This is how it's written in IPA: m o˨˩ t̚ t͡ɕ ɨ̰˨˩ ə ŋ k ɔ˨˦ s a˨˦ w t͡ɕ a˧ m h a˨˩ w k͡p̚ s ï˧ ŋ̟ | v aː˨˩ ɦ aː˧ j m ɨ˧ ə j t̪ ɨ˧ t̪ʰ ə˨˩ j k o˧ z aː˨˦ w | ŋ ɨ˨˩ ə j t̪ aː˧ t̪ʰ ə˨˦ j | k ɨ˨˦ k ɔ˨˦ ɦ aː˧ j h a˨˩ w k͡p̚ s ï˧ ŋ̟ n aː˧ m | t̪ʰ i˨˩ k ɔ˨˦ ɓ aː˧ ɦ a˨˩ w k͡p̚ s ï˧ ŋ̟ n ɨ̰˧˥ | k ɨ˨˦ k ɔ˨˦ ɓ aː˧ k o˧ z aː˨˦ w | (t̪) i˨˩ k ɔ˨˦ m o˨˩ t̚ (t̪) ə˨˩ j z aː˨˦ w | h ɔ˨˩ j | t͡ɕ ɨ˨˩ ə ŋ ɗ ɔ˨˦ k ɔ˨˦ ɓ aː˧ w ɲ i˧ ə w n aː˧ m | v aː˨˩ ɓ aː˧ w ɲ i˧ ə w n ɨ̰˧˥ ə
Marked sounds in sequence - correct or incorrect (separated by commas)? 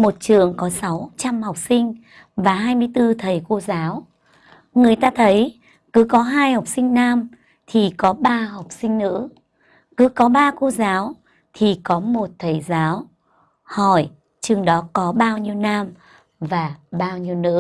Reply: incorrect, incorrect